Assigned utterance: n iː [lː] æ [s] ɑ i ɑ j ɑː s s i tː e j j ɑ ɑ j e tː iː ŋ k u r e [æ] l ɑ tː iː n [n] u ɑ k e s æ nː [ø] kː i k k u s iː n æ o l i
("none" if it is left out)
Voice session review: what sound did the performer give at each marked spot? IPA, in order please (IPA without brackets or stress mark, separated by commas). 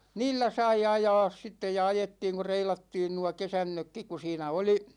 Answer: lː, s, i, n, ø